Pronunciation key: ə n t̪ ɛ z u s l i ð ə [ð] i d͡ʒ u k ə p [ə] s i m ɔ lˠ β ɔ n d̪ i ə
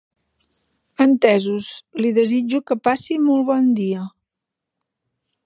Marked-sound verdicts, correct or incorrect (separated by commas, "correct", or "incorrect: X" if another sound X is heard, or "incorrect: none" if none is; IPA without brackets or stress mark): incorrect: z, incorrect: a